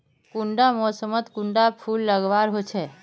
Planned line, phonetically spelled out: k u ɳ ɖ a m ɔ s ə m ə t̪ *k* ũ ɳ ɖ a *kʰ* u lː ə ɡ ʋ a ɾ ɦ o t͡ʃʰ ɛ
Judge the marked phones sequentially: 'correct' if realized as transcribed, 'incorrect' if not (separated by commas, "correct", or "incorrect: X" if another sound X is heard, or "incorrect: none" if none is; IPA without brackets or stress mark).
correct, incorrect: pʰ